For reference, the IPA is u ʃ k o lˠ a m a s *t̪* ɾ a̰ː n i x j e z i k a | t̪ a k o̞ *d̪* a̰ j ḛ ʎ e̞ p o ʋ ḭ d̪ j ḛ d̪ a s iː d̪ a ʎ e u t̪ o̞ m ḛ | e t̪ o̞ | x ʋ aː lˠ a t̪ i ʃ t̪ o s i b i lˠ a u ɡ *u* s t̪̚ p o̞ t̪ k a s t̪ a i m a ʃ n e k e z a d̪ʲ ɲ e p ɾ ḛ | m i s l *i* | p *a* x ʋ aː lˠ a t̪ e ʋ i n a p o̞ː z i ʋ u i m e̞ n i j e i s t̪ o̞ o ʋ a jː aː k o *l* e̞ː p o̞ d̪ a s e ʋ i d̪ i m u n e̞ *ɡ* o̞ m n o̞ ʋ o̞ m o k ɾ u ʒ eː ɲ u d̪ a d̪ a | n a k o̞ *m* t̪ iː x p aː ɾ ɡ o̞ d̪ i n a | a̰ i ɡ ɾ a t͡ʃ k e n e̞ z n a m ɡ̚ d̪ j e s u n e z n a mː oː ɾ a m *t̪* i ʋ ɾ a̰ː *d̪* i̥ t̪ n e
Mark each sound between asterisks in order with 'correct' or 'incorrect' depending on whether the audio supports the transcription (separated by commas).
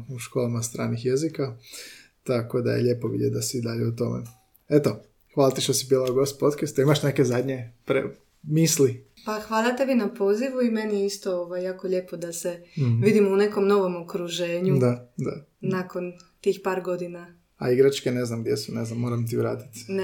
correct, correct, incorrect, correct, correct, incorrect, incorrect, incorrect, correct, incorrect